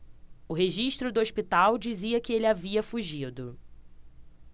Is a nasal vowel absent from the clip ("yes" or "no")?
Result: yes